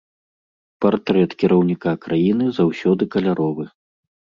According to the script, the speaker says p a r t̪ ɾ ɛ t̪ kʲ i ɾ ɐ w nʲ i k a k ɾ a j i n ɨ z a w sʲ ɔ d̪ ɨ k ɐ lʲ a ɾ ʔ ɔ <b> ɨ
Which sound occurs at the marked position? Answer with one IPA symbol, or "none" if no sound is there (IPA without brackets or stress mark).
v